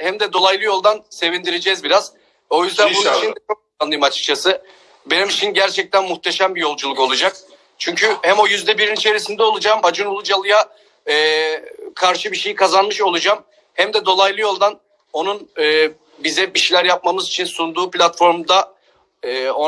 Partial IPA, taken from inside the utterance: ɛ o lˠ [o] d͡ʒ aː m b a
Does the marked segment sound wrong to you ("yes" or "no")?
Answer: yes